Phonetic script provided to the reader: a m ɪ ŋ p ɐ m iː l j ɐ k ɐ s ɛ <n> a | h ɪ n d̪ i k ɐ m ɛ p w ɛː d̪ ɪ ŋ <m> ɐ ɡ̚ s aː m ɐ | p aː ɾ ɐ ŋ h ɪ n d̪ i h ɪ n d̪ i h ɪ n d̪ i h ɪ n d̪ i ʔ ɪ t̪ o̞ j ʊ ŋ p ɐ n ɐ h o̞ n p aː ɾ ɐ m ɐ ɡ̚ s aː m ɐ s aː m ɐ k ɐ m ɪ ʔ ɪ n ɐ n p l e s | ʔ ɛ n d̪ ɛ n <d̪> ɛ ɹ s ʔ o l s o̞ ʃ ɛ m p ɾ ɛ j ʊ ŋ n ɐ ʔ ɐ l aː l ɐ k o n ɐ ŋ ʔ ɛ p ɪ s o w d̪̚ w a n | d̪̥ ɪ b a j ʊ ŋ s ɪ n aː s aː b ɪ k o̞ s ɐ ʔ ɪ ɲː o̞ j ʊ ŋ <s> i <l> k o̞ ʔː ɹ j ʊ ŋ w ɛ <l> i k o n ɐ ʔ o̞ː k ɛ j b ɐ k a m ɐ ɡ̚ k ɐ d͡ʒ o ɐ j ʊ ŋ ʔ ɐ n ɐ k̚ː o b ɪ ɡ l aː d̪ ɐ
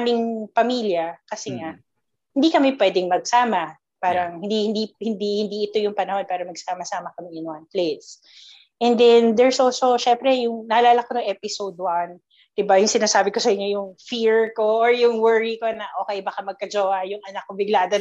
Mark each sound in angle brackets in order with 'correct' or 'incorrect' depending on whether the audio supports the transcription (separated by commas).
incorrect, correct, correct, incorrect, incorrect, incorrect